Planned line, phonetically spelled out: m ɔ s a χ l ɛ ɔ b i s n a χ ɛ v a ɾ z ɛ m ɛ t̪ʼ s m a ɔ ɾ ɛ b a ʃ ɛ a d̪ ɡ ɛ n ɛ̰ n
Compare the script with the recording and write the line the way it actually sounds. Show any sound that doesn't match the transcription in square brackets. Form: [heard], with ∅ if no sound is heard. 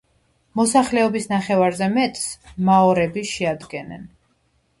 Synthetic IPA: m ɔ s a χ l ɛ ɔ b i s n a χ ɛ v a ɾ z ɛ m ɛ t̪ʼ s m a ɔ ɾ ɛ b [i] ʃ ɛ a d̪ ɡ ɛ n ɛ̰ n